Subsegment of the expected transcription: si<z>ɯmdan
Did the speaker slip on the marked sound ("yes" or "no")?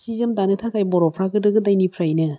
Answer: no